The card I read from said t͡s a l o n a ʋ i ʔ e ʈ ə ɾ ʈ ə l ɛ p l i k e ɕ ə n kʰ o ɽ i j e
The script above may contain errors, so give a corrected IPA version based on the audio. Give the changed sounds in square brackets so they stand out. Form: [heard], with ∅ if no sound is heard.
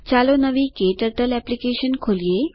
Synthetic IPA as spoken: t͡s a l o n [ə] ʋ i [k] e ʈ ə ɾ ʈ ə l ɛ p l i k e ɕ ə n kʰ o [l] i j e